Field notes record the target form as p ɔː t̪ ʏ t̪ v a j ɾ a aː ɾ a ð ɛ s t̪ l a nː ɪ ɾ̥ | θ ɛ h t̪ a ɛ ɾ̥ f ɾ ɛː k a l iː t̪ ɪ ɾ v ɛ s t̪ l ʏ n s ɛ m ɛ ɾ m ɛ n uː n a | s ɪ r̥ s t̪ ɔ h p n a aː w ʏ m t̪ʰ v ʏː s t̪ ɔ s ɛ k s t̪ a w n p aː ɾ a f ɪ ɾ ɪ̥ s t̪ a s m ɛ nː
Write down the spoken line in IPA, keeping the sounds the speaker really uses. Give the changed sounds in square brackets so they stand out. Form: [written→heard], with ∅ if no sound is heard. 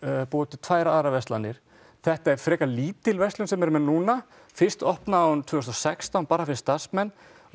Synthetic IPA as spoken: p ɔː t̪ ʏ [t̪→t̪ʰ] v a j ɾ a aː ɾ a [ð→v] ɛ s t̪ l a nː ɪ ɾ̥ | θ ɛ h t̪ a ɛ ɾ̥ f ɾ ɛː k a l iː t̪ ɪ [ɾ→l] v ɛ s t̪ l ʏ n s ɛ m ɛ ɾ m ɛ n uː n a | [s→f] ɪ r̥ s t̪ ɔ h p n a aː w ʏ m t̪ʰ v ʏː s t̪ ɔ s ɛ k s t̪ a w n p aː ɾ a f ɪ ɾ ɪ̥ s t̪ a s m ɛ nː